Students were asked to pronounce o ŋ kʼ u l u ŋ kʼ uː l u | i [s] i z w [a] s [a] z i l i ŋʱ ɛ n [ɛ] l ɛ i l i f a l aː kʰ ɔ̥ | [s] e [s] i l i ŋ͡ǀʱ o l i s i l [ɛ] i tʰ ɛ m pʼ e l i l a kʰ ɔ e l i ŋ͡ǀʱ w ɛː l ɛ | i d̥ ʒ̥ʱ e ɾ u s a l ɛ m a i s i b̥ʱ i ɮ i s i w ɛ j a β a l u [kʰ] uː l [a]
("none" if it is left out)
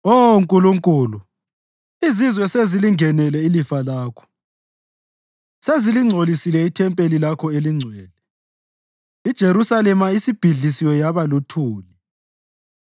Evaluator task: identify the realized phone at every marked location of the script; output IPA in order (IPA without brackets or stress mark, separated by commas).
z, ɛ, e, ɛ, s, z, ɛ, tʰ, i